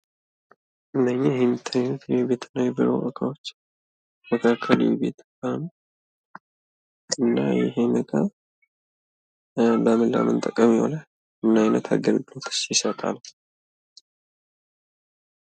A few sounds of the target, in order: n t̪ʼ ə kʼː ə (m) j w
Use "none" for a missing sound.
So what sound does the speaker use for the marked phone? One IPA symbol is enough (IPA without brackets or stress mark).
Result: m